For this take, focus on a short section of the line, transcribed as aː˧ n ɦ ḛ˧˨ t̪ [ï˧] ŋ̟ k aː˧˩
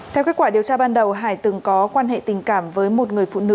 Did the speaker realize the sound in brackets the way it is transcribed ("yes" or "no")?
no